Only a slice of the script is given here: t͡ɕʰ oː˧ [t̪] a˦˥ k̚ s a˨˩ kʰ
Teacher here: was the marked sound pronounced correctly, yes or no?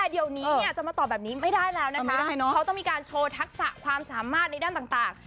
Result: no